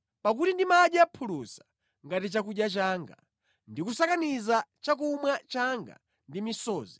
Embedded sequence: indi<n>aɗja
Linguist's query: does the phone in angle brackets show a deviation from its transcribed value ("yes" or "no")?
yes